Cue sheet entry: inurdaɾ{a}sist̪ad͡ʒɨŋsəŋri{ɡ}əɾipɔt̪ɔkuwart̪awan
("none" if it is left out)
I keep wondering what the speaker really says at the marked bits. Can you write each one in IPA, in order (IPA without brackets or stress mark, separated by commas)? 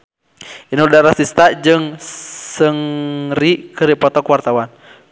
a, k